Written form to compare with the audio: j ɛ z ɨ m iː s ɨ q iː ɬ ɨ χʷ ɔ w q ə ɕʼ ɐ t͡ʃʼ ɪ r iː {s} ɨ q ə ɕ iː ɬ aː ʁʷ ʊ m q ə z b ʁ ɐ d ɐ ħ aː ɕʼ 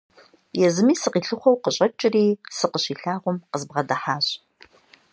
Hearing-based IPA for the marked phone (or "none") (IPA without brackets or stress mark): s